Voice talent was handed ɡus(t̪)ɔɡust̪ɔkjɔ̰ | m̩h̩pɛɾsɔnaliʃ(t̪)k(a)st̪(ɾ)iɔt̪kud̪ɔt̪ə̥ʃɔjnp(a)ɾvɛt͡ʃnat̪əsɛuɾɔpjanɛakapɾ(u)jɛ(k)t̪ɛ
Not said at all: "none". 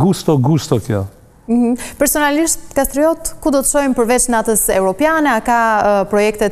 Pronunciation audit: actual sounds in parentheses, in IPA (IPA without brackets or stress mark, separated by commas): t̪, t̪, a, ɾ, ə, ɔ, k